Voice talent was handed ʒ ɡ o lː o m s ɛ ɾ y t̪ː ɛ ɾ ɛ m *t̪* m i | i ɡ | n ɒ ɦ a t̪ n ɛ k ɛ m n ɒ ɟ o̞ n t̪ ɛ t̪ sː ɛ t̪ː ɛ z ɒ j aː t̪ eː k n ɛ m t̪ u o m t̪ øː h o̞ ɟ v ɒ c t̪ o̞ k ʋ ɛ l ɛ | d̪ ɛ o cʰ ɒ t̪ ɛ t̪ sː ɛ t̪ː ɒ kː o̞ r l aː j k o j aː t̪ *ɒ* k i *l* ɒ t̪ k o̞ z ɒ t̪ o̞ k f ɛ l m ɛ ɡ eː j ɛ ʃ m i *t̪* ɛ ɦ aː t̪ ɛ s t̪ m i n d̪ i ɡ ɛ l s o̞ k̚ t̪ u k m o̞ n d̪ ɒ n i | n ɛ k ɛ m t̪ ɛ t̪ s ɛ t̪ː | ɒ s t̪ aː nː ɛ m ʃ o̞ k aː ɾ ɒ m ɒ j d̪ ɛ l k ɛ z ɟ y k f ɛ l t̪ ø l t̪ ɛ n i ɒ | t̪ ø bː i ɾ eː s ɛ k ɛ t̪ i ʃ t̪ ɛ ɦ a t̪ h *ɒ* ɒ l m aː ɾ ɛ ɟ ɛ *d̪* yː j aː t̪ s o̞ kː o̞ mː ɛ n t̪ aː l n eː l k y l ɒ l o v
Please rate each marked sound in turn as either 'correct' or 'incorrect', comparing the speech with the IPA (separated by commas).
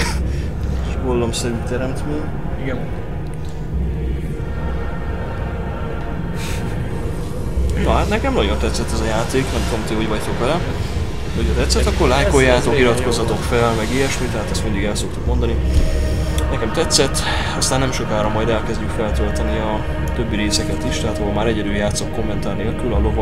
correct, incorrect, incorrect, correct, incorrect, correct